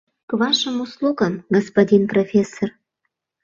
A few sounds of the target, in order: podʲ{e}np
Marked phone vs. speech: incorrect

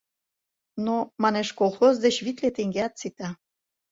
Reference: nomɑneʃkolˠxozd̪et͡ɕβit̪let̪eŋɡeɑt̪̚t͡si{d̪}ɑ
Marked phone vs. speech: incorrect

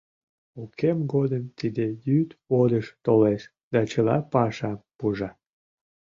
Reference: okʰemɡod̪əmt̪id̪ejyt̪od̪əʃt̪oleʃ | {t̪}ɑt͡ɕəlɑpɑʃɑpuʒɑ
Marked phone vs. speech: incorrect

